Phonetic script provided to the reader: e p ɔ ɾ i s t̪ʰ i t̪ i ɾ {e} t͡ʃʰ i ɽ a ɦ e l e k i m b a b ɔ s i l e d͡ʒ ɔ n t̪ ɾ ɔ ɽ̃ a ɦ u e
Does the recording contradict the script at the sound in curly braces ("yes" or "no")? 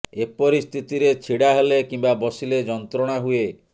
no